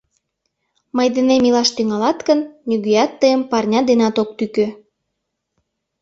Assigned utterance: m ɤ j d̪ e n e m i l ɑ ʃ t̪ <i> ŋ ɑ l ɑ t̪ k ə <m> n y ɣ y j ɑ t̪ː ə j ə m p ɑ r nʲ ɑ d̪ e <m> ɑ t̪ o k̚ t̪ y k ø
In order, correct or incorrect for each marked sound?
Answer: incorrect, incorrect, incorrect

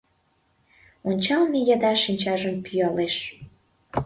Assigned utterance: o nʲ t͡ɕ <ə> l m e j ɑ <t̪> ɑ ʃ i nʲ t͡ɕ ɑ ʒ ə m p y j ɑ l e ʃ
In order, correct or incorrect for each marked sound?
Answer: incorrect, incorrect

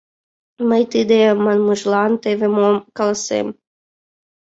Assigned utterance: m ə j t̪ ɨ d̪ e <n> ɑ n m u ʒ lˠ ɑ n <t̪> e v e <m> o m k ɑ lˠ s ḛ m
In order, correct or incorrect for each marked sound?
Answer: incorrect, correct, correct

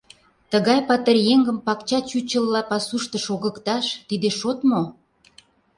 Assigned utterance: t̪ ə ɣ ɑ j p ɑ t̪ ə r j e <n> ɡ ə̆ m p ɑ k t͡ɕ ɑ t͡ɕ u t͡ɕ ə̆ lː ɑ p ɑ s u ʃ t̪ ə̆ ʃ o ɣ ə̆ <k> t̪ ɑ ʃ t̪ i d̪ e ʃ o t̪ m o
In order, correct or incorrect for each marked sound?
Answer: incorrect, correct

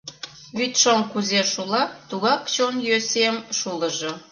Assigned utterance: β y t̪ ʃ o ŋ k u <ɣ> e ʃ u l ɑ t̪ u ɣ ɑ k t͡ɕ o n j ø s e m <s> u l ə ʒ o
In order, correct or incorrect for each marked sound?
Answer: incorrect, incorrect

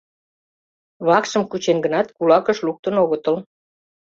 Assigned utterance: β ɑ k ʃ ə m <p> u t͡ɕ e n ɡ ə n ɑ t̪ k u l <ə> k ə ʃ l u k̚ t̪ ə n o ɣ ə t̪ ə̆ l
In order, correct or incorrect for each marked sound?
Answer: incorrect, incorrect

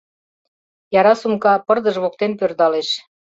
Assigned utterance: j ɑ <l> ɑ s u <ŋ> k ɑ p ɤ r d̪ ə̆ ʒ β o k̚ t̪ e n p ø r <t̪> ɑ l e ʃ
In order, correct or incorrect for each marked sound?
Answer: incorrect, incorrect, incorrect

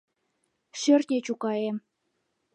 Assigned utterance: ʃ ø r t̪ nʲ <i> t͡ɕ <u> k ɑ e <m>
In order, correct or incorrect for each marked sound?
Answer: incorrect, correct, correct

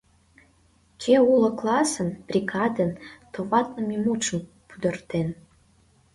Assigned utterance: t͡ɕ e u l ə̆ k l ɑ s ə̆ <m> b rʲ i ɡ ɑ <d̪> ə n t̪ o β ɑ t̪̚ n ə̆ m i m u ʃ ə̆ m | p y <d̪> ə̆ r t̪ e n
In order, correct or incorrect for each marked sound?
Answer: incorrect, correct, correct

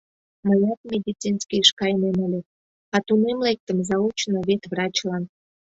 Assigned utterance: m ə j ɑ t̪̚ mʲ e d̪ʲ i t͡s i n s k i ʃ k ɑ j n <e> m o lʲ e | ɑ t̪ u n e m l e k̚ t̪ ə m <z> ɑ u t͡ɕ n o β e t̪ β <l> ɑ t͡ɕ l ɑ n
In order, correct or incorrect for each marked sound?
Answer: correct, correct, incorrect

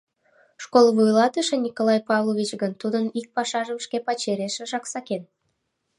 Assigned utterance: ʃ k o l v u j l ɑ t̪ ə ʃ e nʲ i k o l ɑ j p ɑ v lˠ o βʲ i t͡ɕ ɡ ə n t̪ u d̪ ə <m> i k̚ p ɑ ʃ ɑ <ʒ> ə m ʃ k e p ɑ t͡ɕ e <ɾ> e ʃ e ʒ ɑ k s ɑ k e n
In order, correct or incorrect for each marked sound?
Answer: incorrect, correct, correct

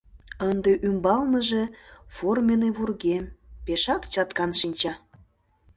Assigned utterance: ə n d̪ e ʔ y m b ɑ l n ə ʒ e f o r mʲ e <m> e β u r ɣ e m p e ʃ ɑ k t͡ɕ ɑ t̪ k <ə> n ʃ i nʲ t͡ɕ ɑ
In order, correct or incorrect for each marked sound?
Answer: incorrect, incorrect

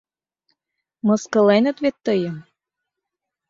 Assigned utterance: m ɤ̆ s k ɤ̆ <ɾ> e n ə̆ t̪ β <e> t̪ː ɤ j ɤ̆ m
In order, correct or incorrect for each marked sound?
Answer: incorrect, correct

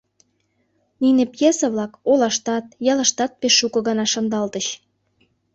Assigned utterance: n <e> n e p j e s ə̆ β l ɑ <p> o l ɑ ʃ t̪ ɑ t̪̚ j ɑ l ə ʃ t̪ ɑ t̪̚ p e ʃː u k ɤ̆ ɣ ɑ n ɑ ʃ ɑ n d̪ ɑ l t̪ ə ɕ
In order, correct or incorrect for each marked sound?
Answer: incorrect, incorrect

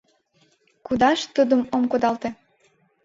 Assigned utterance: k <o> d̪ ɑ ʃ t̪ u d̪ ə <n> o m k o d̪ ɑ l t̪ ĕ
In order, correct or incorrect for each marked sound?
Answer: incorrect, incorrect

